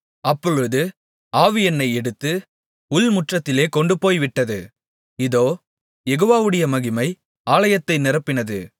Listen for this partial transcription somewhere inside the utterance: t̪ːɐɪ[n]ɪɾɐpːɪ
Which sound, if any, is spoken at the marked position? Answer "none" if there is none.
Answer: n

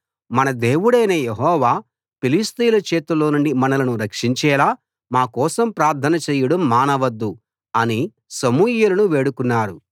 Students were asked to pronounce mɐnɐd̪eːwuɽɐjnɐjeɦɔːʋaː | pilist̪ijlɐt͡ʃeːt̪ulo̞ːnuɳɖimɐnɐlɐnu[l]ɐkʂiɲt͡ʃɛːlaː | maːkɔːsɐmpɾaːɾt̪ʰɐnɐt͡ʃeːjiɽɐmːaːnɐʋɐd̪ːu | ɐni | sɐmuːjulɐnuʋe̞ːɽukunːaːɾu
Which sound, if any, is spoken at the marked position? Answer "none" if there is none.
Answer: ɾ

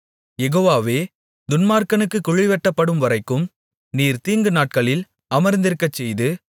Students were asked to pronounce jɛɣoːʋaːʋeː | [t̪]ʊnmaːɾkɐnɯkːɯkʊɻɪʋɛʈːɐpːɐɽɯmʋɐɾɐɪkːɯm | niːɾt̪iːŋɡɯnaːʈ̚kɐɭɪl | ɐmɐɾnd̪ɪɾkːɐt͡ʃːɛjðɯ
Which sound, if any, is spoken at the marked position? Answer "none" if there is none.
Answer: d̪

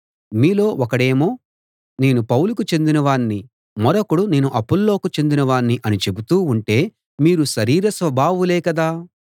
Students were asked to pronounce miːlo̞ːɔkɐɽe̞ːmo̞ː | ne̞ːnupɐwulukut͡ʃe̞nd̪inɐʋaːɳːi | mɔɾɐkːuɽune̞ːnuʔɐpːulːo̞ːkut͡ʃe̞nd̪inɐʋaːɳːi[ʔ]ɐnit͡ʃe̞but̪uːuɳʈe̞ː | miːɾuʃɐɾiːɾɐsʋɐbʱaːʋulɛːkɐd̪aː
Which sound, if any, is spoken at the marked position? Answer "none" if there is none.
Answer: ʔ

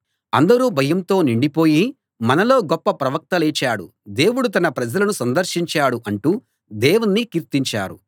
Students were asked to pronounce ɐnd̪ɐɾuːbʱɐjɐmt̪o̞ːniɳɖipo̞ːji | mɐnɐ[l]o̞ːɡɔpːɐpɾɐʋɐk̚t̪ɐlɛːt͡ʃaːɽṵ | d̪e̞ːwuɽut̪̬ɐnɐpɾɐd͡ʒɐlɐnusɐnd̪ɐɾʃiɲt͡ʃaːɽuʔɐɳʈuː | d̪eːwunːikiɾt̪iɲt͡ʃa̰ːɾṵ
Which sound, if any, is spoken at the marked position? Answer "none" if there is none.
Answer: l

